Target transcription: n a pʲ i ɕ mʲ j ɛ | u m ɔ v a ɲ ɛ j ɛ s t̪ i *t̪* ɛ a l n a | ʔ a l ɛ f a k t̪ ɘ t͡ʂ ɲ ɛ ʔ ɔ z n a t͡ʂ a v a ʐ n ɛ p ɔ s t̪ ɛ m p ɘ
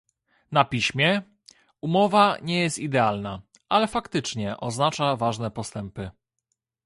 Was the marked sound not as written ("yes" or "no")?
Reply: yes